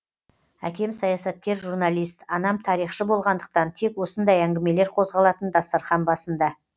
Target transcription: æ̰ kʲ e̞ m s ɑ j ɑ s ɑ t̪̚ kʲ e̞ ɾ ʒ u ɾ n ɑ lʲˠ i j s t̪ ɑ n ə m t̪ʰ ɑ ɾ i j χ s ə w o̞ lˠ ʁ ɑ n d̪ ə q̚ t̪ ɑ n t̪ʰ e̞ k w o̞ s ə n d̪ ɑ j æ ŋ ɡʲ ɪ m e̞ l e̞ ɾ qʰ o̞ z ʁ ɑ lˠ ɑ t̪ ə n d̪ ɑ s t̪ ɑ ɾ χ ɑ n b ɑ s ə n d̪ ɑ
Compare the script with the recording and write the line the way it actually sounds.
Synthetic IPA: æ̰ kʲ e̞ m s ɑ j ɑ s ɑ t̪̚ kʲ e̞ ɾ ʒ u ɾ n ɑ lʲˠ i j s t̪ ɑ n ɑ m t̪ʰ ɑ ɾ i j χ ʃ ə b o̞ lˠ ʁ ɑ n d̪ ə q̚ t̪ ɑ n t̪ʰ e̞ k w o̞ s ə n d̪ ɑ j æ ŋ ɡʲ ɪ m e̞ l e̞ ɾ qʰ o̞ z ʁ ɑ lˠ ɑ t̪ ə n d̪ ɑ s t̪ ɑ ɾ χ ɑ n b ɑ s ə n d̪ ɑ